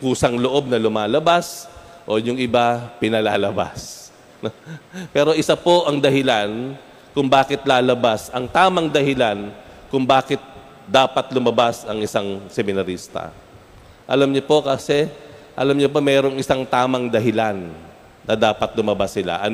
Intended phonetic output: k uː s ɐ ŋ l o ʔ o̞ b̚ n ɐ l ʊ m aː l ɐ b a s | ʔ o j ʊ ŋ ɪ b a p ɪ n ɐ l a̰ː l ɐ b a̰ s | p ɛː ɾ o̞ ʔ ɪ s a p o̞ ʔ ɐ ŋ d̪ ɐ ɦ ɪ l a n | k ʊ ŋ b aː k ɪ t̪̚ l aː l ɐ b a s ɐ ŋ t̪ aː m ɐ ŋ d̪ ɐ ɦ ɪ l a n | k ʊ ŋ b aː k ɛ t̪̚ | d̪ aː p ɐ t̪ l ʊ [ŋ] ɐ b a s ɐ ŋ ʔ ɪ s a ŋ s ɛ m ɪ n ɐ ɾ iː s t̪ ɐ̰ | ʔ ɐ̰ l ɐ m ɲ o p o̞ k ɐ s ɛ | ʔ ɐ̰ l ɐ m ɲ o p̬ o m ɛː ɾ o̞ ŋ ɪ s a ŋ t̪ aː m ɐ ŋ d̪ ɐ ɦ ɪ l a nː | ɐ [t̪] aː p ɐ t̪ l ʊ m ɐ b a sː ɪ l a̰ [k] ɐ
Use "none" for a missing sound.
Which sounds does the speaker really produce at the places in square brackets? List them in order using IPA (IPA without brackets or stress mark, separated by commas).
m, d̪, ʔ